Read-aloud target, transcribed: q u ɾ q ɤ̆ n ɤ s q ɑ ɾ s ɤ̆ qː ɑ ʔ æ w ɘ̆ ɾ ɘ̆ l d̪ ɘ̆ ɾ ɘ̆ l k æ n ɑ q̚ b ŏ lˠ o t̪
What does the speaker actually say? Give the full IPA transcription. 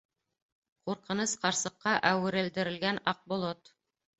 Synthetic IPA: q u ɾ q ɤ̆ n ɤ s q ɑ ɾ s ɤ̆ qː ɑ ʔ æ w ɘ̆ ɾ ɘ̆ l d̪ ɘ̆ ɾ ɘ̆ l ɡ æ n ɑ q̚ b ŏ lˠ o t̪